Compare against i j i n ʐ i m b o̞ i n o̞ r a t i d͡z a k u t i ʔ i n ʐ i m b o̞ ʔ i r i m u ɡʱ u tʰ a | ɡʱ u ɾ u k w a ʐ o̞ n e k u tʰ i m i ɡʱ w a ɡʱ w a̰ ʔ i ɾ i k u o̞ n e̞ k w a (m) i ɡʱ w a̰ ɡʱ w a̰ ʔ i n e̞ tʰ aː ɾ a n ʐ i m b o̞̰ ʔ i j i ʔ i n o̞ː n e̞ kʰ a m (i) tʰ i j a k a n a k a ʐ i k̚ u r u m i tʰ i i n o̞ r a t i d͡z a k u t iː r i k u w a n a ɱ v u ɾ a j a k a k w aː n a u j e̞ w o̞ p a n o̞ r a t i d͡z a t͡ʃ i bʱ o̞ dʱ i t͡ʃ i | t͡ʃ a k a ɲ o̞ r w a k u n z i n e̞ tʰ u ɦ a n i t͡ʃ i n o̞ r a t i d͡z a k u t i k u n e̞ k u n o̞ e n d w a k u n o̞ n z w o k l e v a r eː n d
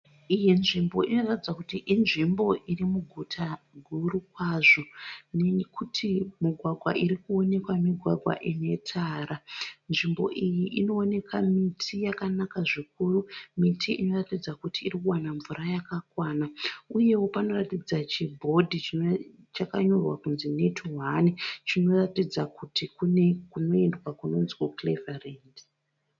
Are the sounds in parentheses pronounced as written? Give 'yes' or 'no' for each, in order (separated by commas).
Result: yes, yes